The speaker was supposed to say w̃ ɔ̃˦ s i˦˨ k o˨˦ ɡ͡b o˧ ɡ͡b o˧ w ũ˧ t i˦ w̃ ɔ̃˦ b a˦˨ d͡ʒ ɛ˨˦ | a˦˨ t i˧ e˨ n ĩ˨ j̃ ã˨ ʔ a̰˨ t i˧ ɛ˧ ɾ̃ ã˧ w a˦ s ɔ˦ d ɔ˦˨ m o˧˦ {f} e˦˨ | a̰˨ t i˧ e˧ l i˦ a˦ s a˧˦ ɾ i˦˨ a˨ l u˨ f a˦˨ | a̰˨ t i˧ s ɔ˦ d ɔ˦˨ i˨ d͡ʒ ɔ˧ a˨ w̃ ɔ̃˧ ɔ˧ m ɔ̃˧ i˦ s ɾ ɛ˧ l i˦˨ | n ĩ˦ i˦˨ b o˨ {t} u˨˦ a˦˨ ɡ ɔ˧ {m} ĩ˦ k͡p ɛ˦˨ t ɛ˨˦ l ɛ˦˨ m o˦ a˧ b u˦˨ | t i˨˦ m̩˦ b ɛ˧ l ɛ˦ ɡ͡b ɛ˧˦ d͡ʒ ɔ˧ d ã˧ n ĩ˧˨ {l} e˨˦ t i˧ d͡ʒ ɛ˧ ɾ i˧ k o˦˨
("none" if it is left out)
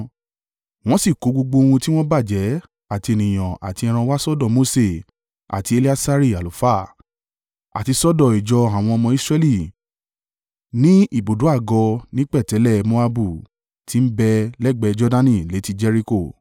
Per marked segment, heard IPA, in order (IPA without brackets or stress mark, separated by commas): s, d, n, l